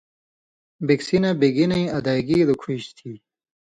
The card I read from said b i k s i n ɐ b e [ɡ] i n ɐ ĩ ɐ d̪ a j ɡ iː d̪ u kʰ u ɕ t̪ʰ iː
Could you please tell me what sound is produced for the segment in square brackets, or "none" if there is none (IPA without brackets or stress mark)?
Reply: ɡ